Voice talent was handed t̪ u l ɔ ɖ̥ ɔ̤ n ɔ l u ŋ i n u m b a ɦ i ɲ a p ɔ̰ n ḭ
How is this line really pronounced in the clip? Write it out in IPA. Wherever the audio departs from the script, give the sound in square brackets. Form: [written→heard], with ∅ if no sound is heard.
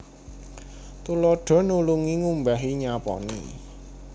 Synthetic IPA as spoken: t̪ u l ɔ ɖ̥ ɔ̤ n [ɔ→u] l u ŋ i [n→ŋ] u m b a ɦ i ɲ a p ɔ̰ n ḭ